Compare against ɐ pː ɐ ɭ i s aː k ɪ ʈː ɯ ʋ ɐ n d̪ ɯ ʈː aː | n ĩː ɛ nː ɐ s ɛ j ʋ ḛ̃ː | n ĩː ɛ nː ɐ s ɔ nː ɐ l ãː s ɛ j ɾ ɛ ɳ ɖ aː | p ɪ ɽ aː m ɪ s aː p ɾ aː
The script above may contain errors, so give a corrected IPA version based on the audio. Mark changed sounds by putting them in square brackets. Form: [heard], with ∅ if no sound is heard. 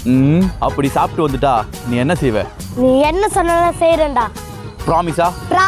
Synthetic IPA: ɐ pː ɐ [ɽ] i s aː [p] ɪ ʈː ɯ ʋ ɐ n d̪ ɯ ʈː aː | n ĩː ɛ nː ɐ s ɛ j ʋ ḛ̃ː | n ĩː ɛ nː ɐ s ɔ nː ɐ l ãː s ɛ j ɾ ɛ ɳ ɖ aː | p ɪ [ɾ] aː m ɪ s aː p ɾ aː